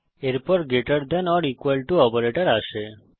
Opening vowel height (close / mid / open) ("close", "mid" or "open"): mid